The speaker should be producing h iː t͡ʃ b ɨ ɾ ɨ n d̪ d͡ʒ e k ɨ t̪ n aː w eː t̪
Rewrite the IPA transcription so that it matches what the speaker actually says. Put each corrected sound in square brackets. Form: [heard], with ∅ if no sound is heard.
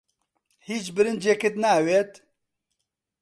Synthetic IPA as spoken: h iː t͡ʃ b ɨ ɾ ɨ n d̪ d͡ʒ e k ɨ t̪ n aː w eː t̪